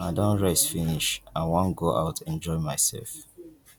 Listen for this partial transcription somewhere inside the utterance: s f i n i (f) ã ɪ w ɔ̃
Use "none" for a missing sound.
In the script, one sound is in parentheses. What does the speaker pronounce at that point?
ʃ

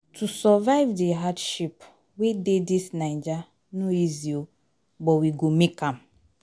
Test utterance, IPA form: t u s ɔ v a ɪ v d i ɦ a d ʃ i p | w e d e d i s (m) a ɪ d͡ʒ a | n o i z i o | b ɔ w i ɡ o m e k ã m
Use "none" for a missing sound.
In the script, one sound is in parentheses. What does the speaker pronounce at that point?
n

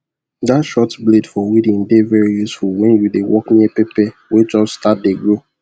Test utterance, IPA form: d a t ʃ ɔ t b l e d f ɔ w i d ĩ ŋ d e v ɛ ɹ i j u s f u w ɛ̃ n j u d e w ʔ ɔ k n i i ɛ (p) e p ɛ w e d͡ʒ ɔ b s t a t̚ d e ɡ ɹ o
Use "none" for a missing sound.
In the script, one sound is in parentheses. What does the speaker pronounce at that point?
p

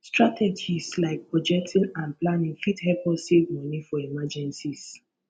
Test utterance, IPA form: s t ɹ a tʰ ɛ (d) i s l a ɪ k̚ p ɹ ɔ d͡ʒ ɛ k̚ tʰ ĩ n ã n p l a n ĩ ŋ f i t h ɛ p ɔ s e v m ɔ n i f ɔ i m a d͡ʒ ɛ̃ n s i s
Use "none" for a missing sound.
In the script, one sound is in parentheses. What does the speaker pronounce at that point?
d͡ʒ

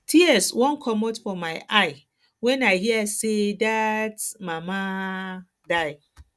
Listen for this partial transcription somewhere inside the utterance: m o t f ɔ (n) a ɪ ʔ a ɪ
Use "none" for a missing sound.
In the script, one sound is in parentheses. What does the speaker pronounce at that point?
m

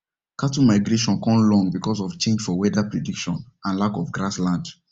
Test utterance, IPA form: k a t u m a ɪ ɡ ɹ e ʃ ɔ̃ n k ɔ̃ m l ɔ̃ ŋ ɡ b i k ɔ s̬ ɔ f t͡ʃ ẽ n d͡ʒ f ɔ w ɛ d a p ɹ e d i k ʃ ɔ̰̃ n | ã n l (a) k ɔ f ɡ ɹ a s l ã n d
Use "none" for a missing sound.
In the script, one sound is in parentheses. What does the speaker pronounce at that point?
a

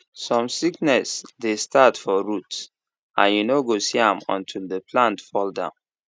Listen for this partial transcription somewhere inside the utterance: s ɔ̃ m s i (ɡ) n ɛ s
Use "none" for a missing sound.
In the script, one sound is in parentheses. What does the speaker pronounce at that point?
k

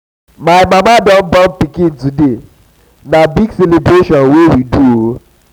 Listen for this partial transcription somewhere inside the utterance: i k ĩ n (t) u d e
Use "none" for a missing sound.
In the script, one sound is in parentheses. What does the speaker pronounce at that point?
t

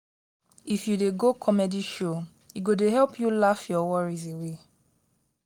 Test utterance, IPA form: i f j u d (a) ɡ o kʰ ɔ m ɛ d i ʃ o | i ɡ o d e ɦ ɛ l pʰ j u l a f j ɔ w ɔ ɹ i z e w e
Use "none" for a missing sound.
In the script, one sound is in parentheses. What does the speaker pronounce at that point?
e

